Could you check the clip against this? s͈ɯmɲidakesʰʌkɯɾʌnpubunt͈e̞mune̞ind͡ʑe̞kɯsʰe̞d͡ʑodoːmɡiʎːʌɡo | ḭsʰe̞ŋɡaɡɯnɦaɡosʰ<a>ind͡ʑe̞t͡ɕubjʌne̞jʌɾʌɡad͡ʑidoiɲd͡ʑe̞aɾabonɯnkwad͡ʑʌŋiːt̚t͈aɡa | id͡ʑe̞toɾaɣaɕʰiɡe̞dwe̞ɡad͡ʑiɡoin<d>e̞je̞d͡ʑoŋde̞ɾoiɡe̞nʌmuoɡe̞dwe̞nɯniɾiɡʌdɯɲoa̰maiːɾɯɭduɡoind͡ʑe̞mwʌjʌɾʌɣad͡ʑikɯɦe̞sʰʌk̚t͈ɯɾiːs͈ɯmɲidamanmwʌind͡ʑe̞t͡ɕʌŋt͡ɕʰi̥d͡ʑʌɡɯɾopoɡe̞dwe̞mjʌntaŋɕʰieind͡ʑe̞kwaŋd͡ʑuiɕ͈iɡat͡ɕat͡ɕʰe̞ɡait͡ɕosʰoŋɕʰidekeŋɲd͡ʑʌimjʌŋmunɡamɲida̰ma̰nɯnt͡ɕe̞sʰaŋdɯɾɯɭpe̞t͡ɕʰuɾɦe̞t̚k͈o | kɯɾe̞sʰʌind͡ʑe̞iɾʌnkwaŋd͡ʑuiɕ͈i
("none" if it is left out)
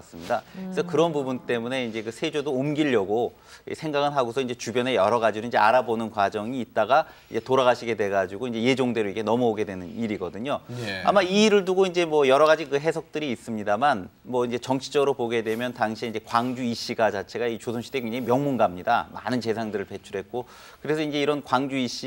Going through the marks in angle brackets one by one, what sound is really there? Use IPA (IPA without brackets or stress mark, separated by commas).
ʌ, d͡ʑ